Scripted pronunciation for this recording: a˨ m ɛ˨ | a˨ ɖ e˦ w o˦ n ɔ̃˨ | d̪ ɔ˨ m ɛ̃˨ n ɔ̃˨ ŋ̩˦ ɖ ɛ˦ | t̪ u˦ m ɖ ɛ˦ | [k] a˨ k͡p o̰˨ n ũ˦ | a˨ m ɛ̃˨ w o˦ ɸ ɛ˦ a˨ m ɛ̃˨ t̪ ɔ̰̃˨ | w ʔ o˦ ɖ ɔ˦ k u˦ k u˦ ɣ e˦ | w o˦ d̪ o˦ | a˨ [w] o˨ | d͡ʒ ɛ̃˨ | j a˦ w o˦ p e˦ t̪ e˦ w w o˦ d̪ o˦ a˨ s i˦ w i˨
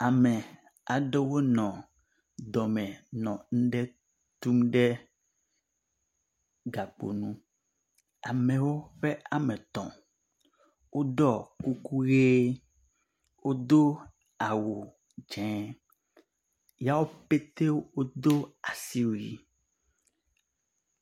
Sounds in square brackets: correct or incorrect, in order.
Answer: incorrect: ɡ, correct

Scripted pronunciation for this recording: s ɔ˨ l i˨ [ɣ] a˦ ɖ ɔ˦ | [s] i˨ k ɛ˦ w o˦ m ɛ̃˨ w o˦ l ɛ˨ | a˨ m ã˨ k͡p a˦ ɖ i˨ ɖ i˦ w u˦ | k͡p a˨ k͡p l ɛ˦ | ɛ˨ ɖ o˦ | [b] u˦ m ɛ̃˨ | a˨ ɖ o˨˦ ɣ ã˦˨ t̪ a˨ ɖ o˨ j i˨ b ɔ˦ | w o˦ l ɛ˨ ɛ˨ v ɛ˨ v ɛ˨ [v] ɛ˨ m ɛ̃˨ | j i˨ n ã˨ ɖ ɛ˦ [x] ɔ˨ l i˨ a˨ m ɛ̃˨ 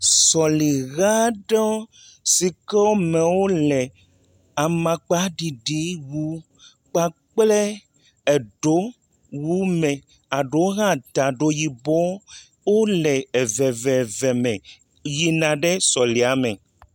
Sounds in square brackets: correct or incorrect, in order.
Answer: correct, correct, incorrect: w, correct, incorrect: s

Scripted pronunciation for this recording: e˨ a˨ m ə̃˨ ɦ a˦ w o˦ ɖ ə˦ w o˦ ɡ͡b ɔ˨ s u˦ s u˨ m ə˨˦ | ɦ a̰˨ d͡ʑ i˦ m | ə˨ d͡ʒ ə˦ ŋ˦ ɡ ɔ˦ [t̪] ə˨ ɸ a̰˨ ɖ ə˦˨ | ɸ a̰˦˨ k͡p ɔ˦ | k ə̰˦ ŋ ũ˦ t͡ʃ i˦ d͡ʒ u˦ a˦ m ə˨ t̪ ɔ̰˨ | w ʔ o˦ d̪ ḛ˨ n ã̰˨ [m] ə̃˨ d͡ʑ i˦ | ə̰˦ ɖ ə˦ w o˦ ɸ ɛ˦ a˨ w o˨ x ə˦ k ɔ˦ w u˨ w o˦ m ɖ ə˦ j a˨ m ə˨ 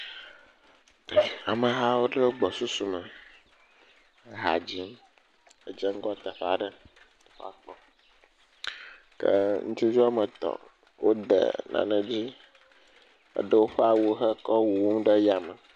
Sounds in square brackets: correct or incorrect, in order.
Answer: correct, incorrect: n

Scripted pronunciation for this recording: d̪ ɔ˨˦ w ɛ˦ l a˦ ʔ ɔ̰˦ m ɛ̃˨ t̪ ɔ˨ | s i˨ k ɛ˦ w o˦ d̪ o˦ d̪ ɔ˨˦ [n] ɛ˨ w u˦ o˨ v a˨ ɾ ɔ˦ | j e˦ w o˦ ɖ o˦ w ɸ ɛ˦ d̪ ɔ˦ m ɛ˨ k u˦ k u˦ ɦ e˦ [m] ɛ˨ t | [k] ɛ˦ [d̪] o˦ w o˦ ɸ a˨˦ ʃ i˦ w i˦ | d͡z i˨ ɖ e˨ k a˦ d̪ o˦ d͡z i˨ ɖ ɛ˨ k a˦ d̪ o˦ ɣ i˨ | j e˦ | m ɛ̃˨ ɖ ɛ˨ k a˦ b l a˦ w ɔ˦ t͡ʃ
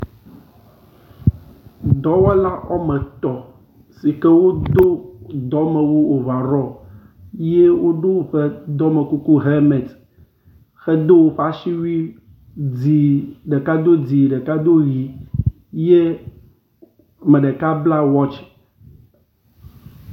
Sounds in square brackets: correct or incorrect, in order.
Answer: incorrect: m, correct, incorrect: x, correct

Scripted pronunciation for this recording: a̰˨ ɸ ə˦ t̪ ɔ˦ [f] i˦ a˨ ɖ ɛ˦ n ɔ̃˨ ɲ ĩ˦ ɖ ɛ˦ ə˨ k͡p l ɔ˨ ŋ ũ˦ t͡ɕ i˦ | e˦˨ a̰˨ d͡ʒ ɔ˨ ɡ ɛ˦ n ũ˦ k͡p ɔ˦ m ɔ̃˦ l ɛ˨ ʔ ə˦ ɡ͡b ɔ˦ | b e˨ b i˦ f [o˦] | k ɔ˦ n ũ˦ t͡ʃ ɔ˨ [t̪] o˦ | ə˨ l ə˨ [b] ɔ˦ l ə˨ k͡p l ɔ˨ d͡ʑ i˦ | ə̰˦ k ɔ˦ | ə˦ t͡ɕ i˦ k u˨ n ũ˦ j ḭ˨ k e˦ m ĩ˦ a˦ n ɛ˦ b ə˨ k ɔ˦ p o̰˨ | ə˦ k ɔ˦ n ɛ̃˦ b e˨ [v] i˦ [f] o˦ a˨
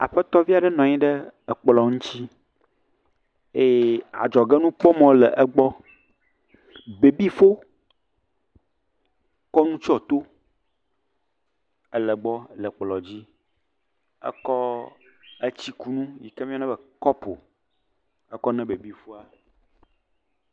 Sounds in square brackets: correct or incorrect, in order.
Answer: incorrect: v, correct, correct, incorrect: ɡ͡b, incorrect: b, correct

